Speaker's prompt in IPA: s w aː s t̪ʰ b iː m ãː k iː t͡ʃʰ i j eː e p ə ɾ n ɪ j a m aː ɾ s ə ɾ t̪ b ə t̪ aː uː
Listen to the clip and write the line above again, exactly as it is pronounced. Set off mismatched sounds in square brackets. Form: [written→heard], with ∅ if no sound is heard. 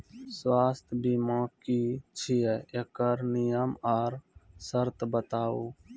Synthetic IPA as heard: s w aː s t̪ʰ b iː m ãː k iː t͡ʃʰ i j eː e [p→k] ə ɾ n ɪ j [a→ə] m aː ɾ s ə ɾ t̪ b ə t̪ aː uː